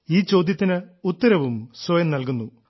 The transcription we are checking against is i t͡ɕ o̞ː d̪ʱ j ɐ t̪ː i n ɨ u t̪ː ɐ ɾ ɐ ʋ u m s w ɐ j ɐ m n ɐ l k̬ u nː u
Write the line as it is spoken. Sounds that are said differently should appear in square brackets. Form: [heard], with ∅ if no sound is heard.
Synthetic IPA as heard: [iː] t͡ɕ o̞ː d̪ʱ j ɐ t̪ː i n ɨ u t̪ː ɐ ɾ ɐ ʋ u m s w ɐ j ɐ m n ɐ l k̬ u nː u